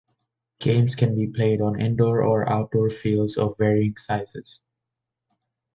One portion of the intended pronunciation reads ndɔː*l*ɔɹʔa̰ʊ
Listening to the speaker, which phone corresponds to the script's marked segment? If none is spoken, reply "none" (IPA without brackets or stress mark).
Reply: ɹ